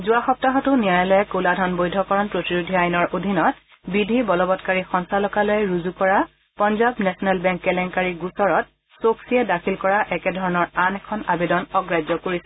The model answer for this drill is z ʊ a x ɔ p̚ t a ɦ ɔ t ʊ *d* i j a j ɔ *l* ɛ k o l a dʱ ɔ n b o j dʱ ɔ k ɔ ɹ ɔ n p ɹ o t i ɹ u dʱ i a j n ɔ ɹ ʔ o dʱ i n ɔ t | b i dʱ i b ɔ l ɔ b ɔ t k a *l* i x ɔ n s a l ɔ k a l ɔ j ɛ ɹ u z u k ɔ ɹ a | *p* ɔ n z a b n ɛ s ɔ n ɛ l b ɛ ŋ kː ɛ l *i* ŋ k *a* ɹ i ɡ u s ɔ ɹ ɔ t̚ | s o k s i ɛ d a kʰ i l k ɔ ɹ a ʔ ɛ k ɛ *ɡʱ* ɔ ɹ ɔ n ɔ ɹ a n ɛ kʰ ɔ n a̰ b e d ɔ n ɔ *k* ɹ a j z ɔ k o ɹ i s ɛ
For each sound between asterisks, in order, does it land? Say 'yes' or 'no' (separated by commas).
no, yes, no, yes, no, yes, no, no